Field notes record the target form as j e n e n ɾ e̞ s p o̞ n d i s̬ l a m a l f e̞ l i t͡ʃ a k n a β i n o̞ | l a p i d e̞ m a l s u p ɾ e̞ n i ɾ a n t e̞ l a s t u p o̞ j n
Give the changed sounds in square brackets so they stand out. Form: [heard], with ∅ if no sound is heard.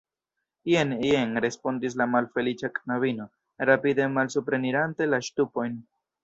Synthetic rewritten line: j e n e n ɾ e̞ s p o̞ n d i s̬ l a m a l f e̞ l i t͡ʃ a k n a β i n o̞ | [ɾ] a p i d e̞ m a l s u p ɾ e̞ n i ɾ a n t e̞ l a [ʃ] t u p o̞ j n